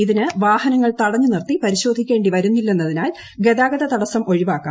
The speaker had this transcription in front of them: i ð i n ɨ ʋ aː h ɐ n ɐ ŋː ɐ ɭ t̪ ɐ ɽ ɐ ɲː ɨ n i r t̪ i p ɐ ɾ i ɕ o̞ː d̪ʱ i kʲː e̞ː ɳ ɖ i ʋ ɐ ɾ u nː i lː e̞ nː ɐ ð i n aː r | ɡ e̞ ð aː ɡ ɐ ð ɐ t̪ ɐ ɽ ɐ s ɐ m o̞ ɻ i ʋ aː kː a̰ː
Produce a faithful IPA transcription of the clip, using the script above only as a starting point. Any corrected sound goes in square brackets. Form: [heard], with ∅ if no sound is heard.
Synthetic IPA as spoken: i ð i n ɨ ʋ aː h ɐ n ɐ ŋː ɐ ɭ t̪ ɐ ɽ ɐ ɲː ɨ n i r t̪ i p ɐ ɾ i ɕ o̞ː d̪ʱ i kʲː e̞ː ɳ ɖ i ʋ ɐ ɾ u nː i lː e̞ nː ɐ ð i n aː [l] | ɡ e̞ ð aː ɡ ɐ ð ɐ t̪ ɐ ɽ ɐ s ɐ m o̞ ɻ i ʋ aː kː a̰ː